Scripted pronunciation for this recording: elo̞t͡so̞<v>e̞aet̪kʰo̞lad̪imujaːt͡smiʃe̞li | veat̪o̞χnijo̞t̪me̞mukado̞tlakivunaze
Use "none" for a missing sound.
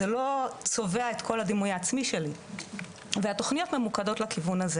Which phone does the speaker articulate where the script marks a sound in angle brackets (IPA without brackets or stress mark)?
v